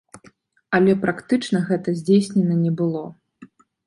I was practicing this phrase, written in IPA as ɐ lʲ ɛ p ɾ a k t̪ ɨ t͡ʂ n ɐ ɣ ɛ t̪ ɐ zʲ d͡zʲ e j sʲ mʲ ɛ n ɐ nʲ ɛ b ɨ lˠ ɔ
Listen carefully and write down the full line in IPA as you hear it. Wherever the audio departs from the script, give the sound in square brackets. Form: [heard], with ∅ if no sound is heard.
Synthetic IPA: ɐ lʲ ɛ p ɾ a k t̪ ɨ t͡ʂ n ɐ ɣ ɛ t̪ ɐ zʲ d͡zʲ e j sʲ [nʲ] ɛ n ɐ nʲ ɛ b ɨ lˠ ɔ